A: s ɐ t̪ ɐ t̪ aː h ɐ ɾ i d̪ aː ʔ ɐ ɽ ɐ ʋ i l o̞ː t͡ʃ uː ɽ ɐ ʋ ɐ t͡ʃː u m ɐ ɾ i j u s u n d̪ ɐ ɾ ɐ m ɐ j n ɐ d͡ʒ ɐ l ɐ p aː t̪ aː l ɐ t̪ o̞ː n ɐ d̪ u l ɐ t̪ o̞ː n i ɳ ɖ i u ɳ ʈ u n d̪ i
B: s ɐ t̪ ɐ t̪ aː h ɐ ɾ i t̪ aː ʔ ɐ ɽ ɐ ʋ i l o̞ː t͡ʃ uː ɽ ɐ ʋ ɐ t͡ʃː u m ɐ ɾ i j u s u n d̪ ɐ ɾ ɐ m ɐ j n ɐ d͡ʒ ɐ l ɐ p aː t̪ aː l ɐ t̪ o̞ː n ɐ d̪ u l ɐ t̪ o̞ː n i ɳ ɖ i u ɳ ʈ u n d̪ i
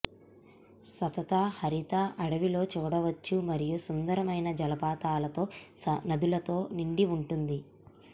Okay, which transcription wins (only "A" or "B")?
B